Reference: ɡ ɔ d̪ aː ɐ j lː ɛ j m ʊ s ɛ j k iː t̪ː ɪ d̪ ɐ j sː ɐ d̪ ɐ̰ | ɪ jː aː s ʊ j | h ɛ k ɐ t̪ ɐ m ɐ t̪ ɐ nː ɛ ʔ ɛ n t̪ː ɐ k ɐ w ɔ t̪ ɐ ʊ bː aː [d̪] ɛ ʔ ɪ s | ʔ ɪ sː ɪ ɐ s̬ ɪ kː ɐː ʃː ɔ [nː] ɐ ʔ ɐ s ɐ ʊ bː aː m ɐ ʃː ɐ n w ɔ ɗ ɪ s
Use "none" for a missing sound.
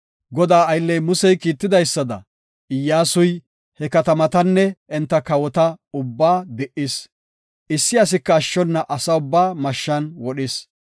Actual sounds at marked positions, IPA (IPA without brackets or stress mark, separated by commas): d̪, nː